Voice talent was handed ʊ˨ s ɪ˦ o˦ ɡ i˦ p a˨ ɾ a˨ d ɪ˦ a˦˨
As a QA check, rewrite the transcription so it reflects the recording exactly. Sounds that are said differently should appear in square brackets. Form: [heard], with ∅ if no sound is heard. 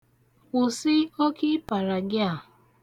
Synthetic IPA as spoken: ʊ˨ s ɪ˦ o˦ [k] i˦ p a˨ ɾ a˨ [ɡ] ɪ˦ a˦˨